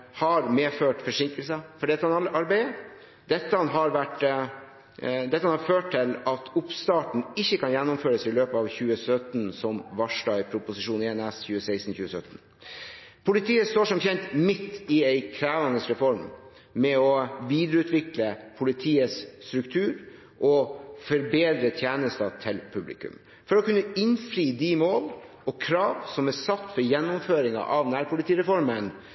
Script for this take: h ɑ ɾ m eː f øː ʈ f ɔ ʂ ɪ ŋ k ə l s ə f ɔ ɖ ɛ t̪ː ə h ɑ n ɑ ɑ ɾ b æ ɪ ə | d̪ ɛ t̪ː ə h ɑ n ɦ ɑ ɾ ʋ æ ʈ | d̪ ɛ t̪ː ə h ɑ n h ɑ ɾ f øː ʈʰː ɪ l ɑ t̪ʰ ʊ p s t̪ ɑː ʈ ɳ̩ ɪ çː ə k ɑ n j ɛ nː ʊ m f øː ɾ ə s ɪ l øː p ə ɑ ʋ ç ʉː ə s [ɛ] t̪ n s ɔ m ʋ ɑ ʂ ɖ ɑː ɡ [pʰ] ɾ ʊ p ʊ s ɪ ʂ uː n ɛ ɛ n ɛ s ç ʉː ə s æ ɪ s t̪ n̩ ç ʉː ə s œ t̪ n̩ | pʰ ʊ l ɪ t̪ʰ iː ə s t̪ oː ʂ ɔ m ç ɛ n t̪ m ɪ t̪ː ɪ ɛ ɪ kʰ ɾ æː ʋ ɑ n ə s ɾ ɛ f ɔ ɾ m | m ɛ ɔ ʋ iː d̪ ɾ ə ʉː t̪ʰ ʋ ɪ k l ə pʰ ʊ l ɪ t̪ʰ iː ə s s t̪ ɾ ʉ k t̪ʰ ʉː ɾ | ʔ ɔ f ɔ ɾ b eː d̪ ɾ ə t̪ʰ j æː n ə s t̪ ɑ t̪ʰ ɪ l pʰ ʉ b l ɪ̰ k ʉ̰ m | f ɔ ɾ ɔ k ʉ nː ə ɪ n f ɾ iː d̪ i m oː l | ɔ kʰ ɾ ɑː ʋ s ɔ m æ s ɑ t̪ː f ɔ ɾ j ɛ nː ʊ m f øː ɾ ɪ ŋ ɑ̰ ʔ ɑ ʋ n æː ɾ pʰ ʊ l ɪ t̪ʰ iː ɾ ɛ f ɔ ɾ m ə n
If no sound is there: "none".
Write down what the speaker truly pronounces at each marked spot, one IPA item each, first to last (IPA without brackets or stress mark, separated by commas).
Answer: œ, pʰ